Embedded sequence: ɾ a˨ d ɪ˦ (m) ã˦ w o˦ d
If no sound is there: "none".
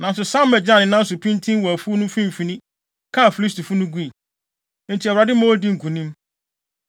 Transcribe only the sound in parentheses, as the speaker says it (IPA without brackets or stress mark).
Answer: m